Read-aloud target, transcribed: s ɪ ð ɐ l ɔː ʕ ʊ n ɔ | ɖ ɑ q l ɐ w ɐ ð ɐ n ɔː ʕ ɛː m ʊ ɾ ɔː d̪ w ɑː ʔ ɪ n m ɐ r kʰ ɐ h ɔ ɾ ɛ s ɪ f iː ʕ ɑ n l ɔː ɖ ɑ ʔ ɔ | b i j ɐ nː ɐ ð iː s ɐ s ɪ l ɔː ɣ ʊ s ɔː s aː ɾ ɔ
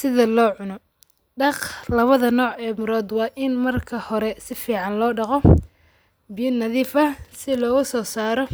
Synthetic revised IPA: s ɪ ð ɐ l ɔː ʕ ʊ n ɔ | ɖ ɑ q l ɐ β ɐ ð ɐ n ɔː ʕ ɛː m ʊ ɾ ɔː d̪ w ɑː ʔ ɪ n m ɐ r kʰ ɐ h ɔ ɾ ɛ s ɪ f iː ʕ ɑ n l ɔː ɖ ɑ q ɔ | b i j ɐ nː ɐ ð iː f ɐ s ɪ l ɔː ɣ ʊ s ɔː s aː ɾ ɔ